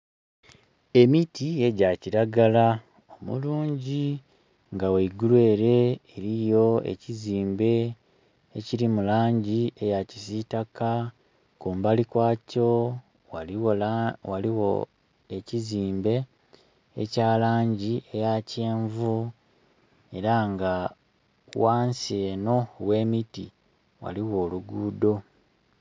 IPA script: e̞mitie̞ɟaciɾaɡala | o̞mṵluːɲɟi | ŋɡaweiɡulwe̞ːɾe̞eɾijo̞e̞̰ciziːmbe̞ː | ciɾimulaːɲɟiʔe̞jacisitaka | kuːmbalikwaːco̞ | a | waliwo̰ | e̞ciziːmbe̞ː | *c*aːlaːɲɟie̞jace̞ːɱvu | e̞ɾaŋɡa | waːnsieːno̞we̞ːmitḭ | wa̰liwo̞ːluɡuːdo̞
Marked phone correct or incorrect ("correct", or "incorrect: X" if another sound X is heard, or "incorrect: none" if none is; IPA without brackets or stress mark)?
correct